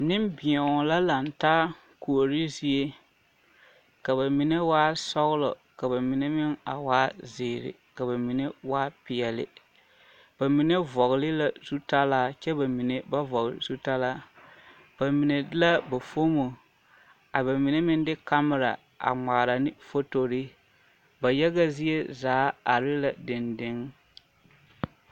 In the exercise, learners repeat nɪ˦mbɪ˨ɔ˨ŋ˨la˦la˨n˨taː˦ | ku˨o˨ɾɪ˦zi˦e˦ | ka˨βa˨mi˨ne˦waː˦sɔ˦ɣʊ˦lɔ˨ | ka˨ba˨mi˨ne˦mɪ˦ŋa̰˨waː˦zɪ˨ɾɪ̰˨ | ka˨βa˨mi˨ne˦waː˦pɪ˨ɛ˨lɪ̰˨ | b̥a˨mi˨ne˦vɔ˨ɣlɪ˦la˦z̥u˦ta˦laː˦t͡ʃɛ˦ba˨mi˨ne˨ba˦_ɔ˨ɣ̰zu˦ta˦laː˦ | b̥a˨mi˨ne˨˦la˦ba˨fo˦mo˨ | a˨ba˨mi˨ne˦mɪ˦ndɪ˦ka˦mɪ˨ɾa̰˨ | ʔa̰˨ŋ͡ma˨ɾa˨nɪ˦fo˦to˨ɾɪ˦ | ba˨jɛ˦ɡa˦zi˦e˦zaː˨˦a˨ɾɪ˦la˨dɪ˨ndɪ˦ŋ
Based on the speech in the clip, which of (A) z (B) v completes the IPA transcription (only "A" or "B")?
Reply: B